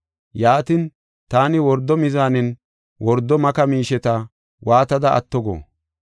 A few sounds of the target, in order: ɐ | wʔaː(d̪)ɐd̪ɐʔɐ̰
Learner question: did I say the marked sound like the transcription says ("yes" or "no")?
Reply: no